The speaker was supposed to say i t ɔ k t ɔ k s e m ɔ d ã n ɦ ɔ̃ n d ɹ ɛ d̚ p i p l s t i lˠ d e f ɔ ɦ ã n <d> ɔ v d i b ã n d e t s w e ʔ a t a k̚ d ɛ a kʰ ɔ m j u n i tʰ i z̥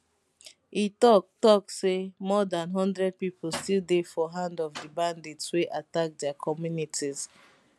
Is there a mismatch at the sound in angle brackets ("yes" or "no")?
no